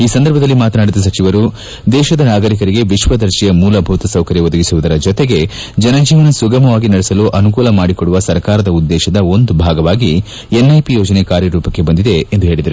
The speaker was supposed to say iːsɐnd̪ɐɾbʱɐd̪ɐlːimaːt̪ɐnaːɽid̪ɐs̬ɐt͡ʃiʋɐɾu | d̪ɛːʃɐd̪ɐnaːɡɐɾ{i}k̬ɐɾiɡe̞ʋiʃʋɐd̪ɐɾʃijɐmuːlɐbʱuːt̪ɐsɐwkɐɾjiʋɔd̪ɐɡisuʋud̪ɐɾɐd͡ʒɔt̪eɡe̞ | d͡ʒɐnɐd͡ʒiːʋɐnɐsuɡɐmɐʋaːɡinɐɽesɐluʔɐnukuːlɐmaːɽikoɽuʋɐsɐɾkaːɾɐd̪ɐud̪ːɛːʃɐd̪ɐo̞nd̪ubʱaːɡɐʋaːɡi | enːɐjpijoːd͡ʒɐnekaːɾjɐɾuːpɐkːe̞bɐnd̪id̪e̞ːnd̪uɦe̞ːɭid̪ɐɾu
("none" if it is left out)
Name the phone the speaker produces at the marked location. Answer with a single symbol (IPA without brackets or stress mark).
i